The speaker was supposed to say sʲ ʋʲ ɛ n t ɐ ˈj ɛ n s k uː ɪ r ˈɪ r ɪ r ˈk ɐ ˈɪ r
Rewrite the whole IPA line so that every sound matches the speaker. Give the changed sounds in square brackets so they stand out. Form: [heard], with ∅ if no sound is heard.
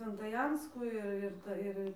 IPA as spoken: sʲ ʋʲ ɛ n t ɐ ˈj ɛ n s k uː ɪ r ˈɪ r ɪ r [ˈt] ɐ ˈɪ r